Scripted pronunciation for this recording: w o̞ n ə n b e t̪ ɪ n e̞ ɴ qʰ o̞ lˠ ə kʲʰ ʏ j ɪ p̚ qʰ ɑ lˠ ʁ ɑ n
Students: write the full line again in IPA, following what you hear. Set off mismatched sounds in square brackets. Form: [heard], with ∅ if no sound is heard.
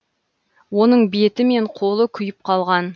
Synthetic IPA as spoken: w o̞ n ə [ɴ] b e t̪ ɪ [m] e̞ ɴ qʰ o̞ lˠ ə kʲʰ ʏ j ɪ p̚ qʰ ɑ lˠ ʁ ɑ n